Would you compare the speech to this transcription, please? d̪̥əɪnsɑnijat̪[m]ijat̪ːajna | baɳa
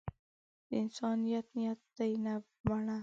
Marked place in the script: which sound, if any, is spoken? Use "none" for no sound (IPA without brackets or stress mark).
n